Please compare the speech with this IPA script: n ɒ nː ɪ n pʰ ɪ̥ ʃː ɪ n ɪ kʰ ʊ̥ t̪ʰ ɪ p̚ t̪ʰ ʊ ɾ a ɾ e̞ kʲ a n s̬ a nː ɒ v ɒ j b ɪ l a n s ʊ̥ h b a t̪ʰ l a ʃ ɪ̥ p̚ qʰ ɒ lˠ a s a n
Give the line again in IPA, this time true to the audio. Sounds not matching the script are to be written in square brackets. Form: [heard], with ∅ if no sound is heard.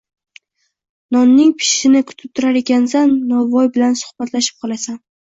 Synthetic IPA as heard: n ɒ nː ɪ [ŋ] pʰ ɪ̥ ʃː ɪ n ɪ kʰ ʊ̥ t̪ʰ ɪ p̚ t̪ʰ ʊ ɾ a ɾ e̞ kʲ a n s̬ a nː ɒ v ɒ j b ɪ l a n s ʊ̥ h b a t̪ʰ l a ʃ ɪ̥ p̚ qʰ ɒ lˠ a s a n